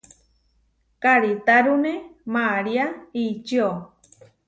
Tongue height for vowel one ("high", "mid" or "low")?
low